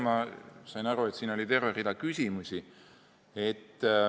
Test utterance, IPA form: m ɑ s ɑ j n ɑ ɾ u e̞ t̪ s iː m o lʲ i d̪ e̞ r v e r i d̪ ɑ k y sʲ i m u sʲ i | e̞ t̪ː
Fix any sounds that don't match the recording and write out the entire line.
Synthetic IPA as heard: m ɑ s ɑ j n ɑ ɾ u e̞ t̪ s iː n o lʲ i t̪ e̞ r v e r i d̪ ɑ k y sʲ i m u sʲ i | e̞ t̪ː